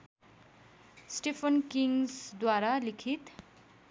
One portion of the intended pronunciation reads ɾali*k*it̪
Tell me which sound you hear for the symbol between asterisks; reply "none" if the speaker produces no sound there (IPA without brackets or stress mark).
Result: kʰ